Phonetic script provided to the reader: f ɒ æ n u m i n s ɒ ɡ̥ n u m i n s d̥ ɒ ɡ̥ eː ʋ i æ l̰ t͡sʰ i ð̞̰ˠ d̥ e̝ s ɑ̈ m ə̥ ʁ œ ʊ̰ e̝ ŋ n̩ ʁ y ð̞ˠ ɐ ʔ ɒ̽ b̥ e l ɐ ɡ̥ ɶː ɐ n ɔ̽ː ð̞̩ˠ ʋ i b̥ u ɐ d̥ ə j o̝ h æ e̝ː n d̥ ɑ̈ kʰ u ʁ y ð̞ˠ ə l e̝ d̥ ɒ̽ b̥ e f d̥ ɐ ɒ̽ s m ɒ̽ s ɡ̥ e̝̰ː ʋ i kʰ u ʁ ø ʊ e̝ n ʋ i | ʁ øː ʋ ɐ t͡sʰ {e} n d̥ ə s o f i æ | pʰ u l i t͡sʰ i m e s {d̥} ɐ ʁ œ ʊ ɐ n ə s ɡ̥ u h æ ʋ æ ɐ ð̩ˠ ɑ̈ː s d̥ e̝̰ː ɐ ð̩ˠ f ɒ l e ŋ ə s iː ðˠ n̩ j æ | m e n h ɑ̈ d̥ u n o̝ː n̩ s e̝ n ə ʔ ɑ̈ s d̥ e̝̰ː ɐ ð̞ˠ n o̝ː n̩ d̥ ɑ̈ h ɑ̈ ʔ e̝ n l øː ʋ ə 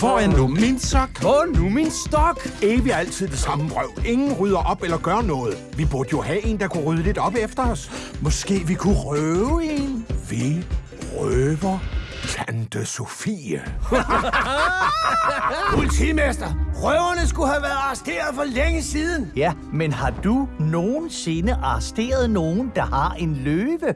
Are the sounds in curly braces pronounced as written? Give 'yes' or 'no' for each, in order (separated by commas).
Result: no, yes